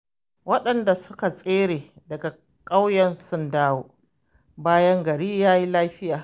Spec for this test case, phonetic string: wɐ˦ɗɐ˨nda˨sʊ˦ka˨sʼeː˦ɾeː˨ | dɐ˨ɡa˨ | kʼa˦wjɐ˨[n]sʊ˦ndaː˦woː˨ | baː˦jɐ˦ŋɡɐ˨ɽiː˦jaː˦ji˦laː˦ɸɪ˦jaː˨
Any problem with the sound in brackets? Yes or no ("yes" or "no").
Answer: no